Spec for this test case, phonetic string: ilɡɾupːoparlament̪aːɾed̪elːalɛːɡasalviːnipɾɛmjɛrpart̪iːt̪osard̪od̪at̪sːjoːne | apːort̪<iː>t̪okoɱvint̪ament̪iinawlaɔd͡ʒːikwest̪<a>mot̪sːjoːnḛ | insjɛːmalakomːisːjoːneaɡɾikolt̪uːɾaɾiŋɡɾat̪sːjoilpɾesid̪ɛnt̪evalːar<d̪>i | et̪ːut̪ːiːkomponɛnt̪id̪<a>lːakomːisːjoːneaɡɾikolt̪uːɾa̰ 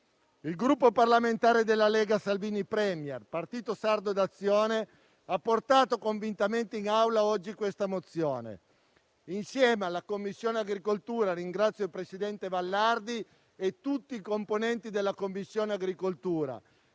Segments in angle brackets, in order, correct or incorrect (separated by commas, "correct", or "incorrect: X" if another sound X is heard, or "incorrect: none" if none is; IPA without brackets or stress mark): incorrect: aː, correct, correct, incorrect: e